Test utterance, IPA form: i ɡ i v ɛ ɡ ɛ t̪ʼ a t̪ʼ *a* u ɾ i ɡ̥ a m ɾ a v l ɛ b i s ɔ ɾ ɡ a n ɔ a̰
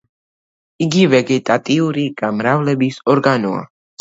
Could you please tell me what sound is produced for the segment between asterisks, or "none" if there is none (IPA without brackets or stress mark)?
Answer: i